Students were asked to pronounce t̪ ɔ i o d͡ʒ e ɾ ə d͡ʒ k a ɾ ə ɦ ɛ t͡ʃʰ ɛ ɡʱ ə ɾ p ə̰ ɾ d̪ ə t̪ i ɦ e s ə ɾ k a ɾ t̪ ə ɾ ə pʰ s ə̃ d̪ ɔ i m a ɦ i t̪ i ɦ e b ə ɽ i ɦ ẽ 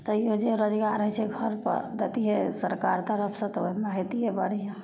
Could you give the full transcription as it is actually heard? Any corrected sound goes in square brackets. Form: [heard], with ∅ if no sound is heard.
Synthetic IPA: t̪ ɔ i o d͡ʒ e ɾ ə d͡ʒ [ɡ] a ɾ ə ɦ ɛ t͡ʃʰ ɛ ɡʱ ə ɾ p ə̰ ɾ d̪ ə t̪ i ɦ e s ə ɾ k a ɾ t̪ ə ɾ ə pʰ s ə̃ [t̪] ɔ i m a ɦ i t̪ i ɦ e b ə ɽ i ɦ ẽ